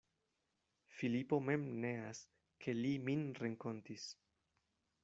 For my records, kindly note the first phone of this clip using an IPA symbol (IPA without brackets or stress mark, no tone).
f